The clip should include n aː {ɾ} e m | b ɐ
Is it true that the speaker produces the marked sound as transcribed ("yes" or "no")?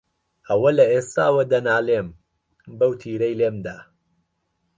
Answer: no